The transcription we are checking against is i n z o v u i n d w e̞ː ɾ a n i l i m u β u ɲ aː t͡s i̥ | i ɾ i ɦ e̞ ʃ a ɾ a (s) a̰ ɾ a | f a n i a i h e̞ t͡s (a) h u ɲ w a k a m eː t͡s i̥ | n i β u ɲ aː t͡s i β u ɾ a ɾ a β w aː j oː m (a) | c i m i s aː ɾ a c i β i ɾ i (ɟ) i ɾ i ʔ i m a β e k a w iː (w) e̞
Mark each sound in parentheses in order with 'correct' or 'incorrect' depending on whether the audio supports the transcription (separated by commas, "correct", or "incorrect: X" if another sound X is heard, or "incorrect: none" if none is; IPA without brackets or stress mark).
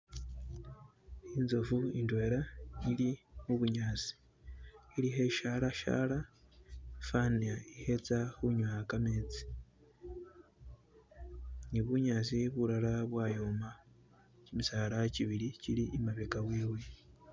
incorrect: ʃ, correct, correct, incorrect: c, correct